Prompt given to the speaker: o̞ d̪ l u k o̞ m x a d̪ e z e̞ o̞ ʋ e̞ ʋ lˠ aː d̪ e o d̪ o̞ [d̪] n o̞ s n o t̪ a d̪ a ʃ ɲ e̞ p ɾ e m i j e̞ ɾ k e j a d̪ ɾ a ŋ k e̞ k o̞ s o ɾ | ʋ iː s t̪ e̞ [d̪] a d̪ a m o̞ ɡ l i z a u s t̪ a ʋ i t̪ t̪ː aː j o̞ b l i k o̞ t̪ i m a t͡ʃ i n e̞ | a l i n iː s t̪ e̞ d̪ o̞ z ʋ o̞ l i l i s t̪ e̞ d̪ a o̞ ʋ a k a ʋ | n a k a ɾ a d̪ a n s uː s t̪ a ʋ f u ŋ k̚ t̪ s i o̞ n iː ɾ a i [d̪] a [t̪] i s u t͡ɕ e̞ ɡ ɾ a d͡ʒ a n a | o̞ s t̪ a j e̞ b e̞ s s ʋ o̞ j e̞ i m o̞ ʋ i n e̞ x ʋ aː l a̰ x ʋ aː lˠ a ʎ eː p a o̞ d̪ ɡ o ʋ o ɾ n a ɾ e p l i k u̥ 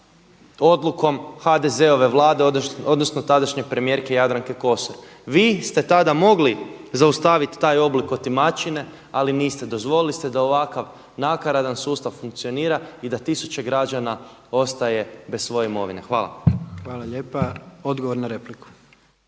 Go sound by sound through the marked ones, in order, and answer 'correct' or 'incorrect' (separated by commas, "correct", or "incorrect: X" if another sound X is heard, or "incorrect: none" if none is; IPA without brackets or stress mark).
correct, incorrect: t̪, correct, correct